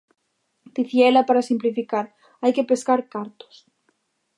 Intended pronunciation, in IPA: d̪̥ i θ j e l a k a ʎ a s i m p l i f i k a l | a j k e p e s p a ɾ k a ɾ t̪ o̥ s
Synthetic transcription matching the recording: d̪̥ i θ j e l a p a ɾ a s i m p l i f i k a ɾ | a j k e p e s k a ɾ k a ɾ t̪ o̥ s